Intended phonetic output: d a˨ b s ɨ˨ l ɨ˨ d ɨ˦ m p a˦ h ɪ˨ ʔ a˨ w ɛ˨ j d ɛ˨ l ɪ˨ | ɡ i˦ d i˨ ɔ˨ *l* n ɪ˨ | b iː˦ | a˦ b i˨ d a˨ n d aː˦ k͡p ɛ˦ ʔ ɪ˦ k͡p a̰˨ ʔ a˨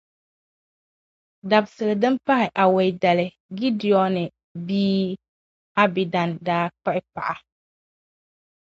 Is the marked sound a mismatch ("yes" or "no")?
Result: yes